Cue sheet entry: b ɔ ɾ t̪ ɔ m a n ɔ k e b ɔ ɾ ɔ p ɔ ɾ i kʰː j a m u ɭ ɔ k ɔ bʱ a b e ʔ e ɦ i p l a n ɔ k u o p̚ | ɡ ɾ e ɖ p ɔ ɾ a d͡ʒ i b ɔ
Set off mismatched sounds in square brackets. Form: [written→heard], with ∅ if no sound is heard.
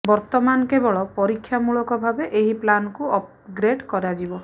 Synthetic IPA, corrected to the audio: b ɔ ɾ t̪ ɔ m a n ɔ k e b ɔ [ɾ→ɭ] ɔ p ɔ ɾ i kʰː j a m u ɭ ɔ k ɔ bʱ a b e ʔ e ɦ i p l a n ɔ k u [o→ɔ] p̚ | ɡ ɾ e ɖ [p→k] ɔ ɾ a d͡ʒ i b ɔ